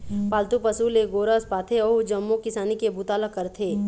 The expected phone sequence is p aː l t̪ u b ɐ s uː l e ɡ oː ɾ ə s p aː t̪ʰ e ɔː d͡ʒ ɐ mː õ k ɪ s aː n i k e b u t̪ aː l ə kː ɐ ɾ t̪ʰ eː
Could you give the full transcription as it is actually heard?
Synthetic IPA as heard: p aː l t̪ u p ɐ s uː l e ɡ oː ɾ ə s p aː t̪ʰ e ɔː d͡ʒ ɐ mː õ k ɪ s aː n i k e b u t̪ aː l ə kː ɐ ɾ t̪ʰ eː